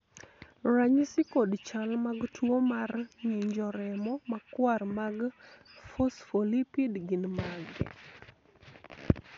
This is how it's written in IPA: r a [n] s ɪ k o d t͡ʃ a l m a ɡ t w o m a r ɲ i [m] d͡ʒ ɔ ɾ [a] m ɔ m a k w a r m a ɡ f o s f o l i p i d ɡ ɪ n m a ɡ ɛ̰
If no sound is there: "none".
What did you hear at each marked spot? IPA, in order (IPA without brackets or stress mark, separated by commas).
ɲ, ɲ, ɛ